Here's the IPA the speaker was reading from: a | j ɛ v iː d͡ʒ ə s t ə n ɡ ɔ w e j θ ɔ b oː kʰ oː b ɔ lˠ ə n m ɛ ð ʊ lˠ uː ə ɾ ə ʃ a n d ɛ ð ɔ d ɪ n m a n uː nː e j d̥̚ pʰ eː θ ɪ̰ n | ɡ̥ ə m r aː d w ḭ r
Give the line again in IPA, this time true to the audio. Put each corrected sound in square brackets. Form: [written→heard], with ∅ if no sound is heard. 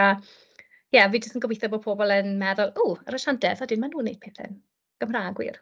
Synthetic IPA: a | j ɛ v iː d͡ʒ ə s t ə n ɡ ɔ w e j θ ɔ b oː [kʰ→pʰ] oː b ɔ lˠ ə n m ɛ ð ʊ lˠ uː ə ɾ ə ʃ a n d ɛ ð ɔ d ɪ n m a n uː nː e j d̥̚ pʰ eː θ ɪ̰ n | ɡ̥ ə m r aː [d→ɡ] w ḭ r